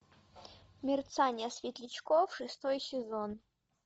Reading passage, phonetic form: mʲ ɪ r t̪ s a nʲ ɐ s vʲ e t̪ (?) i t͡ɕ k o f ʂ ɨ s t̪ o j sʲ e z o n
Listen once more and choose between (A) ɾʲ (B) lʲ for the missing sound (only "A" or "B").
B